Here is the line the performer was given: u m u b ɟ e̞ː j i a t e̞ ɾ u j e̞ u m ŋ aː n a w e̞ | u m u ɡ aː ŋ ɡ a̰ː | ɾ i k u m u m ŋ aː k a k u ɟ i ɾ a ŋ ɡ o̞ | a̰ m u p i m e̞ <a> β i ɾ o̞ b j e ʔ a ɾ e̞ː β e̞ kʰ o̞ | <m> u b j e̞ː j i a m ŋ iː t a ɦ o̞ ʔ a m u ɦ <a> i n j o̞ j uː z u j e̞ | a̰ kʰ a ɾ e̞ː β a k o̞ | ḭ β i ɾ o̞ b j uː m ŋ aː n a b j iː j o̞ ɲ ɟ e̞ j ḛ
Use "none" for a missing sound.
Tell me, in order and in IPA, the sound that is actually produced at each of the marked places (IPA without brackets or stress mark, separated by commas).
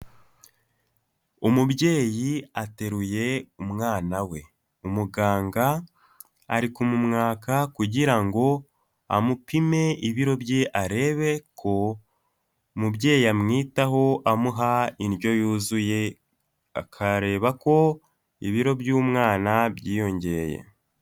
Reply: i, m, a